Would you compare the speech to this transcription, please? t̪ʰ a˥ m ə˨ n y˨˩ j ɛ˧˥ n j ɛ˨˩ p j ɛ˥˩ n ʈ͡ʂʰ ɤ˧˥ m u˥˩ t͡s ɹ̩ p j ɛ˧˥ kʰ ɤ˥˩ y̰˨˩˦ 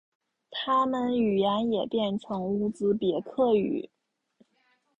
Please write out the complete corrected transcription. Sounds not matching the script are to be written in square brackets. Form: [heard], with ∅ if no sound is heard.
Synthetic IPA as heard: t̪ʰ a˥ m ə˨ n y˨˩ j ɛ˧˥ n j ɛ˨˩ p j ɛ˥˩ n ʈ͡ʂʰ ɤ˧˥ [ŋ] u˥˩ t͡s ɹ̩ p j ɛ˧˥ kʰ ɤ˥˩ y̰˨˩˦